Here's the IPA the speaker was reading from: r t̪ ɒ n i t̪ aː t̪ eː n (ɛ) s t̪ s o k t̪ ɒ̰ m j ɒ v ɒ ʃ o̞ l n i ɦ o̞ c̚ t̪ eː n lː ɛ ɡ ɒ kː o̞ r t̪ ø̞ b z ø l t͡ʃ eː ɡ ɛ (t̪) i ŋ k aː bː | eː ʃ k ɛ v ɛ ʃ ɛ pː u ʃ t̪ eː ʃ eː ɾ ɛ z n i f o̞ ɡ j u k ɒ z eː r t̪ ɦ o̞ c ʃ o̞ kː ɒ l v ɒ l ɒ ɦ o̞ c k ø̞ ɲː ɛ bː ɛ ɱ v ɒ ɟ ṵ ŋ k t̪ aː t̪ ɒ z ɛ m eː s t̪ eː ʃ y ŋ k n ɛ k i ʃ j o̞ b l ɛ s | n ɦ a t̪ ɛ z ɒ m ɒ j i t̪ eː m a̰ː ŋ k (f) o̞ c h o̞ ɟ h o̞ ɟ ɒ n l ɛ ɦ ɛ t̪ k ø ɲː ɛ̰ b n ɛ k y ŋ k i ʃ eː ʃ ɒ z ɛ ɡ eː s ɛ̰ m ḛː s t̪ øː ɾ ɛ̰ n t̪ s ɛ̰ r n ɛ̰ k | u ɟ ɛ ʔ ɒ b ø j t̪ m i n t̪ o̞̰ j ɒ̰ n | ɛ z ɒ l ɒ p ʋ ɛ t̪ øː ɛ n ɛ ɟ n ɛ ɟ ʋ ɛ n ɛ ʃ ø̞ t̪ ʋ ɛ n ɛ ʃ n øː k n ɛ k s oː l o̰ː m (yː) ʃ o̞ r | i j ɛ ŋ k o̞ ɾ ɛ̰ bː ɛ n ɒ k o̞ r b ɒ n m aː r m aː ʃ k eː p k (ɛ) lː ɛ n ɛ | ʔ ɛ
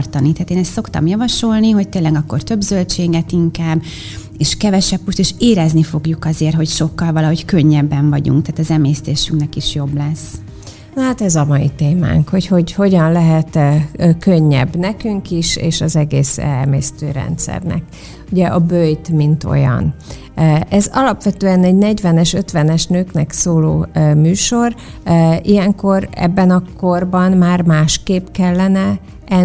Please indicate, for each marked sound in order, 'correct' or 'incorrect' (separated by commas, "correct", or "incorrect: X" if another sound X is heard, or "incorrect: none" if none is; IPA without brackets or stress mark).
correct, correct, incorrect: h, correct, correct